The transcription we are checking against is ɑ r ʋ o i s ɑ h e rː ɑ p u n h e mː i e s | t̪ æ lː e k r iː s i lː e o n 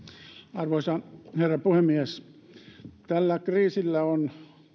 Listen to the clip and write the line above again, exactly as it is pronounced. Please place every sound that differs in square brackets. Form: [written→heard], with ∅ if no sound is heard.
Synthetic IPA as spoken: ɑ r ʋ o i s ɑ h e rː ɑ p u [n→∅] h e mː i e s | t̪ æ lː [e→æ] k r iː s i lː [e→æ] o n

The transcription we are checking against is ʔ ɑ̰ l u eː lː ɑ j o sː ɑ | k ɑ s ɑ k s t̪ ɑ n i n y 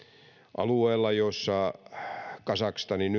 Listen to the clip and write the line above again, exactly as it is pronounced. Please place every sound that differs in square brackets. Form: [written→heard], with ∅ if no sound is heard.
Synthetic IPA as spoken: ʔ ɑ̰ l u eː lː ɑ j o sː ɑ | k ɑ s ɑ k s t̪ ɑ n i n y

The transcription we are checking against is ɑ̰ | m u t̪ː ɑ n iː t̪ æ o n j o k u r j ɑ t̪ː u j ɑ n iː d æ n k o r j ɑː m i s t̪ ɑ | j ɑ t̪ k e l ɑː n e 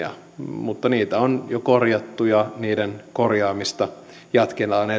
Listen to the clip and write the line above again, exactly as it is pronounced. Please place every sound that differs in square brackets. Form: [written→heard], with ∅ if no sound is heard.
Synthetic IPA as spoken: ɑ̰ | m u t̪ː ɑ n iː t̪ æ o n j o k [u→o] r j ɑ t̪ː u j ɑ n iː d [æ→e] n k o r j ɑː m i s t̪ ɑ | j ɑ t̪ k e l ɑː n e

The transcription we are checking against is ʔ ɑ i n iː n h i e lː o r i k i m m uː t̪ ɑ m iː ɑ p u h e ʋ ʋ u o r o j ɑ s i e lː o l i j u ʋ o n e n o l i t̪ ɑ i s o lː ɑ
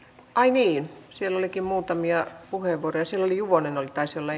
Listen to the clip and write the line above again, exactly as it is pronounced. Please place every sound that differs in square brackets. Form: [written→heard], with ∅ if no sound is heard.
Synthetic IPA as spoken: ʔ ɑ i n iː n [h→s] i e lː o [r→l] i k i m m uː t̪ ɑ m [iː→i] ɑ p u h e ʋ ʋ u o r o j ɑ s i e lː o l i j u ʋ o n e n o l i t̪ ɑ i s o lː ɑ

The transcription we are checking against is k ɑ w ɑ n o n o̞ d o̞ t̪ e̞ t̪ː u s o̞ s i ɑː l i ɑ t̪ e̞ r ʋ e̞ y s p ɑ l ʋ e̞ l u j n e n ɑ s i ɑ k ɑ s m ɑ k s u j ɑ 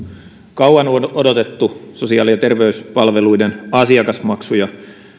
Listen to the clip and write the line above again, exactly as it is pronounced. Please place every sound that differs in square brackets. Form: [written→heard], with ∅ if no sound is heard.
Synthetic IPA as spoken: k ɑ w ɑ n o n o̞ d o̞ t̪ e̞ t̪ː u s o̞ s i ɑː l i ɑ t̪ e̞ r ʋ e̞ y s p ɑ l ʋ e̞ l u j [n→d] e n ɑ s i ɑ k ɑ s m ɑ k s u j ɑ

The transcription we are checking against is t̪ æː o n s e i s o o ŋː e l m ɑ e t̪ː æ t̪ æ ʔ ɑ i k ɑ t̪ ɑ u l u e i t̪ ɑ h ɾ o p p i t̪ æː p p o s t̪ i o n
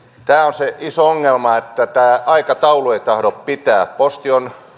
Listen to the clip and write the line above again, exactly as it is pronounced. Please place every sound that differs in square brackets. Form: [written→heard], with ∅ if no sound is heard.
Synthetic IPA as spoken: t̪ æː o n s e i s o o ŋː e l m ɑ e t̪ː æ t̪ [æ→æː] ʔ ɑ i k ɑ t̪ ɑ u l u e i t̪ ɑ h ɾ o p p i t̪ æː p p o s t̪ i o n

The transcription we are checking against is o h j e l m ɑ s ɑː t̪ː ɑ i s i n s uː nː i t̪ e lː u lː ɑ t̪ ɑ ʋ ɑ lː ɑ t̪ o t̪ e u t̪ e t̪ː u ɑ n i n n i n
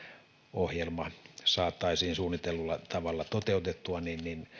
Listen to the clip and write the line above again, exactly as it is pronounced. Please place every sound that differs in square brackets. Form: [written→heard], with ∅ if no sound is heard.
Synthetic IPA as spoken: o h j e l m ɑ s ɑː t̪ː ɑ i s [i→iː] n s uː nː i t̪ e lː u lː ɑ t̪ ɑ ʋ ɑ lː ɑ t̪ o t̪ e u t̪ e t̪ː u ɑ n i n n i n

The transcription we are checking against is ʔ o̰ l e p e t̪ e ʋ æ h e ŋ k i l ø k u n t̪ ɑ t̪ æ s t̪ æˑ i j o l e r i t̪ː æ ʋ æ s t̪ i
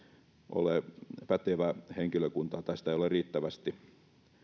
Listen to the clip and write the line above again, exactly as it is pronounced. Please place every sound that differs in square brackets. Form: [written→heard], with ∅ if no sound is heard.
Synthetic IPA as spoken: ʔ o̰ l e p [e→æ] t̪ e ʋ æ h e ŋ k i l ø k u n t̪ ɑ t̪ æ s t̪ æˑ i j o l e r [i→iː] t̪ː æ ʋ æ s t̪ i

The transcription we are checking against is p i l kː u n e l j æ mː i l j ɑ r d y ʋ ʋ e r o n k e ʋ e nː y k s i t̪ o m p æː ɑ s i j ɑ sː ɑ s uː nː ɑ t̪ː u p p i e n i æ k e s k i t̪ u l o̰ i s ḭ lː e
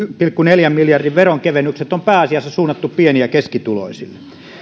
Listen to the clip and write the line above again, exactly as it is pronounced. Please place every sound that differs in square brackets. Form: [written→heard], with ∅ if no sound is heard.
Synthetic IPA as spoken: p i l kː u n e l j æ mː i l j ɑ r d [y→i] ʋ ʋ e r o [n→ŋ] k e ʋ e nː y k s [i→e] t̪ o m p æː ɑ s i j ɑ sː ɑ s uː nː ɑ t̪ː u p p i e n i æ k e s k i t̪ u l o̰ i s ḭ lː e

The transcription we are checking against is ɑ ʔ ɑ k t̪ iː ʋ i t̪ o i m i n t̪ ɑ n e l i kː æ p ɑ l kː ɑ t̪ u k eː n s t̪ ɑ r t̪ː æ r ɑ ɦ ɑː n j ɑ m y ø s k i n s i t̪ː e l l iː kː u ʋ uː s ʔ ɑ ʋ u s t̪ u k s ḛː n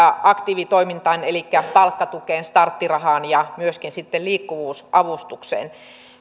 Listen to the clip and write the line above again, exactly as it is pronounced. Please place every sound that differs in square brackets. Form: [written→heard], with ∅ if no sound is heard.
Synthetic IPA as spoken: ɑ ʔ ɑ k t̪ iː ʋ i t̪ o i m i n t̪ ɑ n e l i kː æ p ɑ l kː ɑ t̪ u k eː n s t̪ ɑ r t̪ː [æ→i] r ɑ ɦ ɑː n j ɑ m y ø s k i n s i t̪ː e l l iː kː u ʋ uː s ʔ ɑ ʋ u s t̪ u k s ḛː n

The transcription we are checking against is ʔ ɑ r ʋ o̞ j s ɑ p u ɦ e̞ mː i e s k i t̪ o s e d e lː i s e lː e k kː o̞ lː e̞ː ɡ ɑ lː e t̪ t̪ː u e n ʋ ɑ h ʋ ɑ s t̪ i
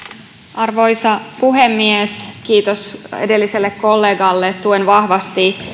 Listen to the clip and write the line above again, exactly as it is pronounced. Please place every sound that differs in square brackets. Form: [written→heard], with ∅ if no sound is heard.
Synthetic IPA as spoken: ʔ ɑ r ʋ o̞ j s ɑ p u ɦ e̞ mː i e s k [i→iː] t̪ o s e d e lː i s e lː e k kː o̞ lː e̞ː ɡ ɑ lː e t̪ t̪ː u e n ʋ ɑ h ʋ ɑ s t̪ i

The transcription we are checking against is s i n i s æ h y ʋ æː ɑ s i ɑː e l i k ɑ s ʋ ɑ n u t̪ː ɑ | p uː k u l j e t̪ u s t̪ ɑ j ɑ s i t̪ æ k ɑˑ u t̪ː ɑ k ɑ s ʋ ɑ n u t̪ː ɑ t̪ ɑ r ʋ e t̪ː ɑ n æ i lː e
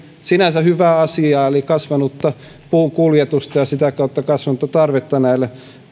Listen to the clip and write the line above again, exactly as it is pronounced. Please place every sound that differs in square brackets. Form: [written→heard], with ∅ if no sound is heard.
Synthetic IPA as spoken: s i n [i→æ] s æ h y ʋ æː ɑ s i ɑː e l i k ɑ s ʋ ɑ n u t̪ː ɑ | p uː k u l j e t̪ u s t̪ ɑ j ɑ s i t̪ æ k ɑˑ u t̪ː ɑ k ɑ s ʋ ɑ n u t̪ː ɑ t̪ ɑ r ʋ e t̪ː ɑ n æ i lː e

